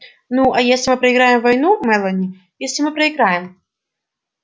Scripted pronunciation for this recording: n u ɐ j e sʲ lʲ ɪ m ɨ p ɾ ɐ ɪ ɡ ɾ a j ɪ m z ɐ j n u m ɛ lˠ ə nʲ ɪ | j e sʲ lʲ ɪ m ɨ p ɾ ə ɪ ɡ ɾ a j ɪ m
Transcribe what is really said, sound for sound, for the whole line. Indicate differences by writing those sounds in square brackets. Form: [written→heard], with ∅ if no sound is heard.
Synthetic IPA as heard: n u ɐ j e sʲ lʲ ɪ m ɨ p ɾ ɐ ɪ ɡ ɾ a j ɪ m [z→v] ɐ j n u m ɛ lˠ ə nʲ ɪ | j e sʲ lʲ ɪ m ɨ p ɾ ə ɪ ɡ ɾ a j ɪ m